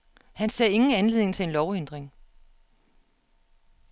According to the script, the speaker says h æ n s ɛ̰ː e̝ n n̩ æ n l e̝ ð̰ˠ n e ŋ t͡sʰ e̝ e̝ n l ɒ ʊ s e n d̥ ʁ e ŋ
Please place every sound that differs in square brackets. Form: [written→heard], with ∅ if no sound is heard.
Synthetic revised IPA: h æ n s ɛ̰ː e̝ [n→ŋ] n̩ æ n l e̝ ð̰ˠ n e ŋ t͡sʰ e̝ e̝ n l ɒ ʊ [s→∅] e n d̥ ʁ e ŋ